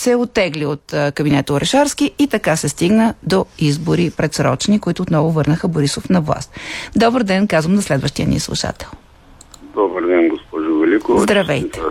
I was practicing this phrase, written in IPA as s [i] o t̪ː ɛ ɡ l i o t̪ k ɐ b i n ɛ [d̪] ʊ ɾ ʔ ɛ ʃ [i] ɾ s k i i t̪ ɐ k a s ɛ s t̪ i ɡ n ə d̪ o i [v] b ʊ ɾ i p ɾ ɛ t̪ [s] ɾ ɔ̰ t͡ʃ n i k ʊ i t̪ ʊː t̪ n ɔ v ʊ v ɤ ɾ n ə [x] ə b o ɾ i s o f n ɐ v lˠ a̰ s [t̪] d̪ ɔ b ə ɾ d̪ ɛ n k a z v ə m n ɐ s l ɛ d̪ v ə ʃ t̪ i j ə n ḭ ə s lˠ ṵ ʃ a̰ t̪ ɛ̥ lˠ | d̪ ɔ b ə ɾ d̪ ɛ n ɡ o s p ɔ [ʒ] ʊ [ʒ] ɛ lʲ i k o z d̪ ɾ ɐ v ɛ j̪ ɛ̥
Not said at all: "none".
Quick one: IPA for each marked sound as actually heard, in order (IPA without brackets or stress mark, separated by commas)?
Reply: ɛ, t̪, a, z, s, x, t̪, ʒ, v